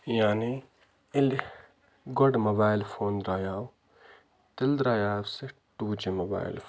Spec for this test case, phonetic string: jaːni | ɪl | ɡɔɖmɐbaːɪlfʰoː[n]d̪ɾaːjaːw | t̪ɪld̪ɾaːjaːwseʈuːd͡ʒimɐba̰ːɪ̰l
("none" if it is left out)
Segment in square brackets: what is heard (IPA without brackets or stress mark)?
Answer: n